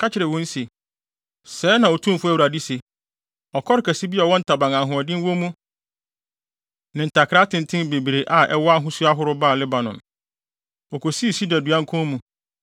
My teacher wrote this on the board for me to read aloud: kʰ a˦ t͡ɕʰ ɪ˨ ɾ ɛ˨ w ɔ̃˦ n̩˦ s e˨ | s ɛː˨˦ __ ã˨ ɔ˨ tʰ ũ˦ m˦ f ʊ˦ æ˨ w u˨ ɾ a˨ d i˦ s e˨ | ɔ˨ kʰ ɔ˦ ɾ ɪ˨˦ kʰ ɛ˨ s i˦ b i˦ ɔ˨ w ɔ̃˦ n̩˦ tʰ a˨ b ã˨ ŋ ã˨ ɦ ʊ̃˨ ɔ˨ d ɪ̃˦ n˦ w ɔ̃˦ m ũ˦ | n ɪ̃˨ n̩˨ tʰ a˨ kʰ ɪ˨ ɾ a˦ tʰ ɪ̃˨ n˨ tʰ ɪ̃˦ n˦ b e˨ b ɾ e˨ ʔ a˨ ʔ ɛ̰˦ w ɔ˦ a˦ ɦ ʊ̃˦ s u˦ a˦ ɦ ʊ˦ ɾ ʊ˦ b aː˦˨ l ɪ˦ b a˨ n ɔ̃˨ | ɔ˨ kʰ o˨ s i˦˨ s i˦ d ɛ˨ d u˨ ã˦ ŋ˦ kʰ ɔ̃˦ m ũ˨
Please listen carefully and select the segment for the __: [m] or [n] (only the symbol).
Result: n